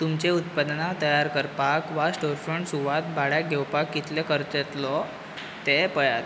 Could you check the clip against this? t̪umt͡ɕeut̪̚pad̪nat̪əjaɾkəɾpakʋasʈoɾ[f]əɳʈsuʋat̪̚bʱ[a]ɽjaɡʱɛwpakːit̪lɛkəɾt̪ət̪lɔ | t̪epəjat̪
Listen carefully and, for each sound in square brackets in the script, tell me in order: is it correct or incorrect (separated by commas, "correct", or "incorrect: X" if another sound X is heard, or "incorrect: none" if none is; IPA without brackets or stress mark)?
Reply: correct, correct